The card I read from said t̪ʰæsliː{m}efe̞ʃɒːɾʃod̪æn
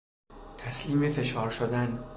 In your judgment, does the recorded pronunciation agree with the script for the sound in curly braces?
yes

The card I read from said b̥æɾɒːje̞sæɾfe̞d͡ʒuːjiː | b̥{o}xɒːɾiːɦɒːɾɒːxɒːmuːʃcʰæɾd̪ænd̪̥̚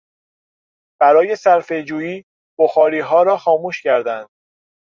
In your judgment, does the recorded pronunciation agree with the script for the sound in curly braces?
yes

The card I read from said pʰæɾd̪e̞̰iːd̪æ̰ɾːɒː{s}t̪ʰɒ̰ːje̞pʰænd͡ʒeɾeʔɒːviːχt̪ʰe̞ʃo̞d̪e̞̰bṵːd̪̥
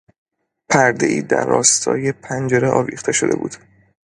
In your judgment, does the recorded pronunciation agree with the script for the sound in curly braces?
yes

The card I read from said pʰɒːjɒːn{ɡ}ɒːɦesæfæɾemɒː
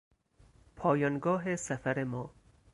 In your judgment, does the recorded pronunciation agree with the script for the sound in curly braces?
yes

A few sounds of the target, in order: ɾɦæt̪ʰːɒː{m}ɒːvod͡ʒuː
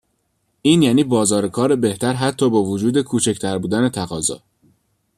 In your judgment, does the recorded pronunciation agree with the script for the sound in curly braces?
no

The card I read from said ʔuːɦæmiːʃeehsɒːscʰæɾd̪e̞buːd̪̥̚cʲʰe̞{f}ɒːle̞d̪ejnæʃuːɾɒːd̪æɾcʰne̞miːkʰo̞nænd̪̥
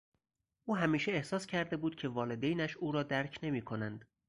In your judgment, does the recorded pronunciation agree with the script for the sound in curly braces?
no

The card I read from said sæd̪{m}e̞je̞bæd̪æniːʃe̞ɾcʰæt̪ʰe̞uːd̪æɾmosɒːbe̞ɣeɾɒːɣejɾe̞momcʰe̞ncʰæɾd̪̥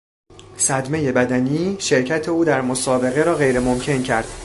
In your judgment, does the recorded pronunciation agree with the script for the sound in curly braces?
yes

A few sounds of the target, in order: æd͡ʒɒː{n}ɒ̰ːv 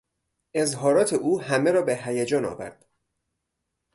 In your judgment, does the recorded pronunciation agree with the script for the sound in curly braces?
yes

